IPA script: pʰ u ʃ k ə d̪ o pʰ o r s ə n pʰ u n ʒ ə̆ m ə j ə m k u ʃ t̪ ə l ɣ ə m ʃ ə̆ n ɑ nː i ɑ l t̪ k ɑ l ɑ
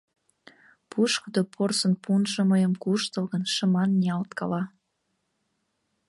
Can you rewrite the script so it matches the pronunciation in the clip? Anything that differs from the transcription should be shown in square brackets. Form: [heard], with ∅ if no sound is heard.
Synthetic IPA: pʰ u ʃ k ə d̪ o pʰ o r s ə n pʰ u n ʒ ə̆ m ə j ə m k u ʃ t̪ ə l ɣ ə [n] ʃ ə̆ [m] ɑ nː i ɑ l t̪ k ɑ l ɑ